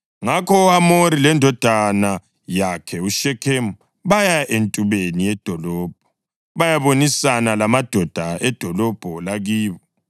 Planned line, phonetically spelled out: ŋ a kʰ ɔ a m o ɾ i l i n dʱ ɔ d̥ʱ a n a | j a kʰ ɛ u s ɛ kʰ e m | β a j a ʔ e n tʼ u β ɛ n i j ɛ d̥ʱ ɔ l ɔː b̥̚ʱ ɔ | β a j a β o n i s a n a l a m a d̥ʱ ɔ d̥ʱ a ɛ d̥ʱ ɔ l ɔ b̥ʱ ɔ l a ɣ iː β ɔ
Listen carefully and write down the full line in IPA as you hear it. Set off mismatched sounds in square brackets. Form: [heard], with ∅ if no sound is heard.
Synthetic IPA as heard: ŋ a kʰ ɔ a m o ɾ i l [ɛ] n dʱ ɔ d̥ʱ a n a | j a kʰ ɛ u [ʃ] ɛ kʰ e m | β a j a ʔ e n tʼ u β [e] n i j ɛ d̥ʱ ɔ l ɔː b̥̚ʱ ɔ | β a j a β o n i s a n a l a m a d̥ʱ ɔ d̥ʱ a ɛ d̥ʱ ɔ l ɔ b̥ʱ ɔ l a ɣ iː β ɔ